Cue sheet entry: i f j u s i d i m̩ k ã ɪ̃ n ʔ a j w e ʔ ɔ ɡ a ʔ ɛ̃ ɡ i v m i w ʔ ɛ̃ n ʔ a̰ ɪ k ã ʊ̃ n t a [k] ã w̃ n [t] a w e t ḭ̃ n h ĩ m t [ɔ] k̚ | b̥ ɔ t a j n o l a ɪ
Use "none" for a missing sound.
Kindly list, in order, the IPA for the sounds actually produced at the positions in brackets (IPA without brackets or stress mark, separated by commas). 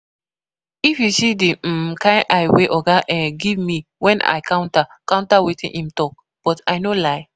k, t, ɔ